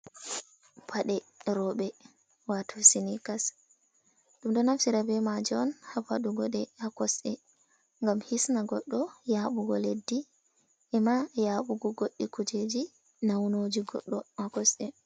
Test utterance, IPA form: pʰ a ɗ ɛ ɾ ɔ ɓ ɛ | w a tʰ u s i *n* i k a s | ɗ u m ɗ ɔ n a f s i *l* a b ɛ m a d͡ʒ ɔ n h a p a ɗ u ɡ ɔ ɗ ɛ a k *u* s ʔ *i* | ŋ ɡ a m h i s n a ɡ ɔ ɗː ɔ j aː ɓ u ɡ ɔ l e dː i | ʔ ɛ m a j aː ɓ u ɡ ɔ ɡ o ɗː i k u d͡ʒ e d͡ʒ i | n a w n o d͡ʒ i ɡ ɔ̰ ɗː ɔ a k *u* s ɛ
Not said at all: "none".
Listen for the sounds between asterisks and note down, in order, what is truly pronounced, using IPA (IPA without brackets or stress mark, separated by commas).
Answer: n, ɾ, ɔ, ɛ, ɔ